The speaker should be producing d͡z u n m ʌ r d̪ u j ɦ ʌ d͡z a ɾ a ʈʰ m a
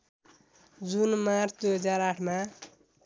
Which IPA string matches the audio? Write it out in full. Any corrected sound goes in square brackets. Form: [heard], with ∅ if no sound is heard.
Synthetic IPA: d͡z u n m [a] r d̪ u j ɦ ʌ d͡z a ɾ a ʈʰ m a